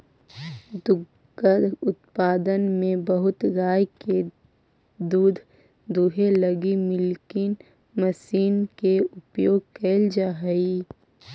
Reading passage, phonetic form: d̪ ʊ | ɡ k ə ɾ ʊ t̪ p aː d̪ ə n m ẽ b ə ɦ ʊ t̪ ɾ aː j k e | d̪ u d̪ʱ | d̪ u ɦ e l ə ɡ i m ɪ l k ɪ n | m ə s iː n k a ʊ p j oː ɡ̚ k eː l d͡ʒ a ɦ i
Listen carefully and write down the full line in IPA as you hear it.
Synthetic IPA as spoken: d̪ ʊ | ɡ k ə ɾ ʊ t̪ p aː d̪ ə n m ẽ b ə ɦ ʊ t̪ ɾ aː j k e | d̪ uː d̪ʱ | d̪ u ɦ e l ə ɡ i m ɪ l k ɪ n | m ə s iː n k e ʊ p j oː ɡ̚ k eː l d͡ʒ a ɦ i